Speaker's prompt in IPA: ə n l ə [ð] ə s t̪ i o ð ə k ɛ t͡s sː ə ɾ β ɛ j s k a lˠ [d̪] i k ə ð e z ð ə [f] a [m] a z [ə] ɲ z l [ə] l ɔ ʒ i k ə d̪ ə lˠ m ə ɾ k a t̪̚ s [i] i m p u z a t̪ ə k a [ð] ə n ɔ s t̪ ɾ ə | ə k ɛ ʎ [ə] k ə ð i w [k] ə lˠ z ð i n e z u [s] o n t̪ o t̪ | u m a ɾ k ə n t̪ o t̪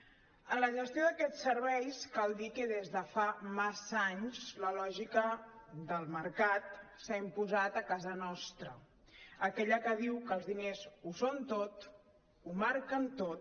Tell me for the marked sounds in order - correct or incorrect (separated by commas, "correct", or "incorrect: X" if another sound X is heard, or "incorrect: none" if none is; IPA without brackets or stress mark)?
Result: incorrect: ʒ, correct, correct, correct, incorrect: a, correct, incorrect: a, incorrect: z, correct, correct, correct